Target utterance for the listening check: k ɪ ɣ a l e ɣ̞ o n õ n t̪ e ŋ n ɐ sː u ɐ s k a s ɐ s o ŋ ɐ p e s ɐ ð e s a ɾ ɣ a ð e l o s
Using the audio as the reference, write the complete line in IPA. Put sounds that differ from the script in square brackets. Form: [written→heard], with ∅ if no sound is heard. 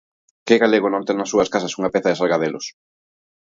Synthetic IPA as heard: k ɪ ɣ a l e ɣ̞ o n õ n t̪ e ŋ n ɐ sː u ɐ s k a s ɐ s [o→u] ŋ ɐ p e [s→θ] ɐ ð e s a [ɾ→l] ɣ a ð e l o s